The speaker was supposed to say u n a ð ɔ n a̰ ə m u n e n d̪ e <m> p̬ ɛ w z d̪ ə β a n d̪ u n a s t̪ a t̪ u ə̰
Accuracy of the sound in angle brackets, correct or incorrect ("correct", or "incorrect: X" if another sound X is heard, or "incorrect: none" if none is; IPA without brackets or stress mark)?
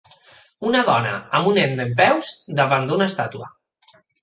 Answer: correct